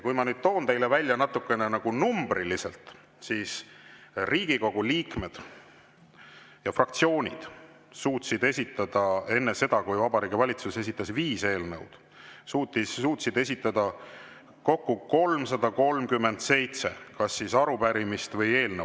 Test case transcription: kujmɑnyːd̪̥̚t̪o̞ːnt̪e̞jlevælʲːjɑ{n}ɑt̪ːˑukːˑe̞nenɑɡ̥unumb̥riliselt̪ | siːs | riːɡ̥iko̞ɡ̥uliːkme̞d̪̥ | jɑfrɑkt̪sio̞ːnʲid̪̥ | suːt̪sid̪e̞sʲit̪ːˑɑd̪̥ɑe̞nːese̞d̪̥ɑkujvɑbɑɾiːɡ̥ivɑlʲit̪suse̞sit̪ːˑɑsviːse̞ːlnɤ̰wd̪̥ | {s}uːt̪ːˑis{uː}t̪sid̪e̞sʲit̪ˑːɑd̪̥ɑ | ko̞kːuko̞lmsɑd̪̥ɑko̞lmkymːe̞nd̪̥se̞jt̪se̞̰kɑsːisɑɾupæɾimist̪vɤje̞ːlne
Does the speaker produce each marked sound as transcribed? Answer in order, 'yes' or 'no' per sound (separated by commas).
yes, yes, yes